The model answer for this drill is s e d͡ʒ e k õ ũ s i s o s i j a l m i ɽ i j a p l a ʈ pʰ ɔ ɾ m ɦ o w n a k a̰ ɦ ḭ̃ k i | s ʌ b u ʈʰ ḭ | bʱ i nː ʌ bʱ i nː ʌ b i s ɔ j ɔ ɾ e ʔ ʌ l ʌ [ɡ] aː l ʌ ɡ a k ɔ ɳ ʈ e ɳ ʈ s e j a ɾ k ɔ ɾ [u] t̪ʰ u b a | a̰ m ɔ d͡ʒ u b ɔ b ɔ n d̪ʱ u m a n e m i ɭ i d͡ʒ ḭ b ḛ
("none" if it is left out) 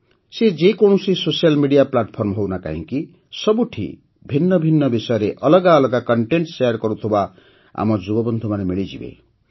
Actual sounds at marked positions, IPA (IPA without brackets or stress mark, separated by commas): ɡ, u